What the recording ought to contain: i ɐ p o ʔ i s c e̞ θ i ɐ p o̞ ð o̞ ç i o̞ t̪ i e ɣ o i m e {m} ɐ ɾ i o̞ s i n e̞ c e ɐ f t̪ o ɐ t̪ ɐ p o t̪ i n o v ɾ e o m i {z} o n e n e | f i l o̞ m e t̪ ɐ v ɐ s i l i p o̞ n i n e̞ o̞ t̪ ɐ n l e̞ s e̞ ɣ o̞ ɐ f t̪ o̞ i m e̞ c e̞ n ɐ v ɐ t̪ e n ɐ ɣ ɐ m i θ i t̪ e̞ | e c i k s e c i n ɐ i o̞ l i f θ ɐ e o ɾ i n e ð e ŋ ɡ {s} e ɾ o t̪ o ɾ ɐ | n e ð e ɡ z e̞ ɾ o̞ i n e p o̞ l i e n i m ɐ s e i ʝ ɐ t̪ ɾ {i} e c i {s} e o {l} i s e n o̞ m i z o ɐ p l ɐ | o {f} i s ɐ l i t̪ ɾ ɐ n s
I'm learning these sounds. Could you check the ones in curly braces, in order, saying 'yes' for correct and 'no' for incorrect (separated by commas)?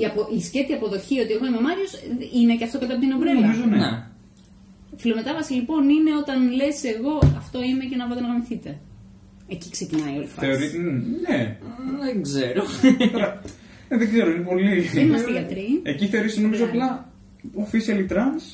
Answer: yes, yes, no, yes, no, no, yes